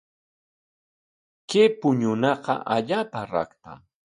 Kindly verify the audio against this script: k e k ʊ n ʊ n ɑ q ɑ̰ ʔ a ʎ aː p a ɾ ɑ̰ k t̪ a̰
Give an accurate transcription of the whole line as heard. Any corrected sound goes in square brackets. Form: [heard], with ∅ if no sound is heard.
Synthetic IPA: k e [p] ʊ [ɲ] ʊ n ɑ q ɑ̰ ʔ a ʎ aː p a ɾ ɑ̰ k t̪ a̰